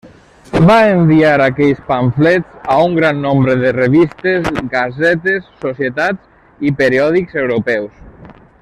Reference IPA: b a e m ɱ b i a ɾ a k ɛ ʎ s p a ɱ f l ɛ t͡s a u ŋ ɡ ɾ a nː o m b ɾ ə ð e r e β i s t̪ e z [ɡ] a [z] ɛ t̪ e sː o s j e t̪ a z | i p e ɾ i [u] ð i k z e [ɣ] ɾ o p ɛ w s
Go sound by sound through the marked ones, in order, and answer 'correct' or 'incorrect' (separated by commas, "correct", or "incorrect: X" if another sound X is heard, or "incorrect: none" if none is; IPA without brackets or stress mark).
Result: correct, correct, incorrect: ɔ, incorrect: w